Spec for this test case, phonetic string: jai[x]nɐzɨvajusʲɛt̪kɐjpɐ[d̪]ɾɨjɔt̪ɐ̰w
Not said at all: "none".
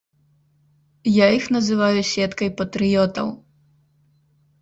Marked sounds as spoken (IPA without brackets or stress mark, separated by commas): x, t̪